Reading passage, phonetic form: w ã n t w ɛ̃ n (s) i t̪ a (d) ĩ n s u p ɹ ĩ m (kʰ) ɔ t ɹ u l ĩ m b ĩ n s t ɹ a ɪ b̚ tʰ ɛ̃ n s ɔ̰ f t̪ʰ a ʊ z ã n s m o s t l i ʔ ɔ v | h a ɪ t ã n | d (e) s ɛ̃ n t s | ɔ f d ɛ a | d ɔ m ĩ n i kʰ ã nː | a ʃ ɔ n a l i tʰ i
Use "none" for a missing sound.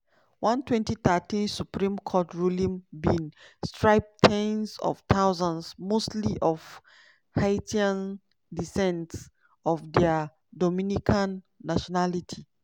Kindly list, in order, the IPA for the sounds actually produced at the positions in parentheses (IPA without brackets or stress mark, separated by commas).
t, t, kʰ, i